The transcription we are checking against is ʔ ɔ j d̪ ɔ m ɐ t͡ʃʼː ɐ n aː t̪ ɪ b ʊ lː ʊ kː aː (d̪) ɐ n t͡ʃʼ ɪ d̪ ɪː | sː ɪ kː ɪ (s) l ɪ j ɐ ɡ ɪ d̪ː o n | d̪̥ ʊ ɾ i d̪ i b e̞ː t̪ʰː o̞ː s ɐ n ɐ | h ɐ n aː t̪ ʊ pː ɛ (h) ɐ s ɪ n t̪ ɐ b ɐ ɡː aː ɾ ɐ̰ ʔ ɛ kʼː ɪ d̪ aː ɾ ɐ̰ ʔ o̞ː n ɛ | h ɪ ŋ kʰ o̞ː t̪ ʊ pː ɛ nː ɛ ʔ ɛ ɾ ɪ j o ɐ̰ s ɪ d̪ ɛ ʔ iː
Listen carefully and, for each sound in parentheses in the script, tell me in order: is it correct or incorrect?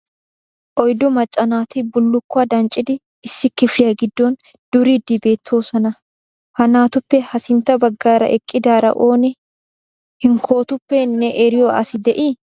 correct, incorrect: f, correct

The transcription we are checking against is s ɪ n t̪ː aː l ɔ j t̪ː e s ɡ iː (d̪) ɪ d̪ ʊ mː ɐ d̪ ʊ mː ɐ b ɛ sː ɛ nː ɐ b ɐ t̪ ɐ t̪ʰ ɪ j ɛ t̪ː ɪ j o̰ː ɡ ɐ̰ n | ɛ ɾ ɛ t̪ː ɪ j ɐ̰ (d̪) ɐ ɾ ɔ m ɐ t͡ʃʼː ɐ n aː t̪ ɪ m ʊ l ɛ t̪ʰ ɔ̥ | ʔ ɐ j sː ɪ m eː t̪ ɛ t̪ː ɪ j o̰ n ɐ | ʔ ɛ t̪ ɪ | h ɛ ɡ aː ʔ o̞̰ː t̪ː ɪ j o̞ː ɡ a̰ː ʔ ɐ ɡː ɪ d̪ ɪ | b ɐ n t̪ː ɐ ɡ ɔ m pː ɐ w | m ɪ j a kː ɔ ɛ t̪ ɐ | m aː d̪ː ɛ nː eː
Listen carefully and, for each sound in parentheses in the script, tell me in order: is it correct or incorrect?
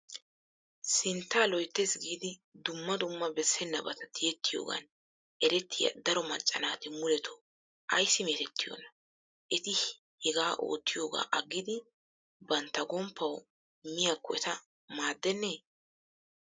correct, correct

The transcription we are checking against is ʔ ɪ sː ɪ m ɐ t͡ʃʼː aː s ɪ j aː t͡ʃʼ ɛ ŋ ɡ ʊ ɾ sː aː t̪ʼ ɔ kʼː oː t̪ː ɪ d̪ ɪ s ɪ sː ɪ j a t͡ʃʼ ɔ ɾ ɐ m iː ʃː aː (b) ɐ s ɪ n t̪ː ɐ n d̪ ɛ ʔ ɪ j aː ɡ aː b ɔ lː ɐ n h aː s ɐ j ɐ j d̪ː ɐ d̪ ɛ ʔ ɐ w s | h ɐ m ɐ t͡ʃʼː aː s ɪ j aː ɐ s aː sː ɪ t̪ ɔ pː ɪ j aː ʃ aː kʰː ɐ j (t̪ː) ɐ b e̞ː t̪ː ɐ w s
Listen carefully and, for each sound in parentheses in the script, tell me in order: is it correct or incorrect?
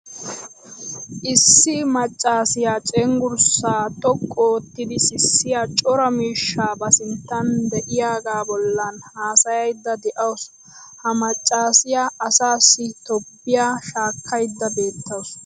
correct, incorrect: d̪ː

